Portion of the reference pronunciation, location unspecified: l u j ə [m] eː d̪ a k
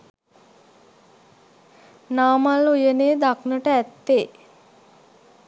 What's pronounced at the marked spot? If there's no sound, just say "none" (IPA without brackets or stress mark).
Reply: n